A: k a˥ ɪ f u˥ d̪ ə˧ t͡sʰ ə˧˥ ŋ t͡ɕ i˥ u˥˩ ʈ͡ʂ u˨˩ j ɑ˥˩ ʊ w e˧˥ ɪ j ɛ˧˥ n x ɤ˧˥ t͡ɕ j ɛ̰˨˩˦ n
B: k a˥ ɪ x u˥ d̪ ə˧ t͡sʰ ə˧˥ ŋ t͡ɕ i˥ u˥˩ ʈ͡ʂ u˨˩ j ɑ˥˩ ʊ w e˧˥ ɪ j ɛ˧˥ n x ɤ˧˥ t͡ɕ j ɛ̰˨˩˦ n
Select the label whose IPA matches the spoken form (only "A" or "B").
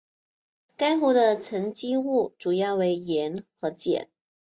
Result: B